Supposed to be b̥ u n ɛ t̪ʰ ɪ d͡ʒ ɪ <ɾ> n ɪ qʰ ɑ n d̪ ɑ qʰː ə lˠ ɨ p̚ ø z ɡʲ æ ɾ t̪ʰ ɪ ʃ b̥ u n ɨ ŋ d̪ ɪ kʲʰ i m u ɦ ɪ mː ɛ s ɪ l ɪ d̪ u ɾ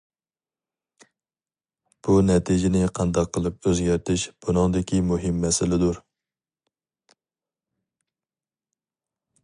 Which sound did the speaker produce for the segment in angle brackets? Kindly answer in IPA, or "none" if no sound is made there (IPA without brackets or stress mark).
none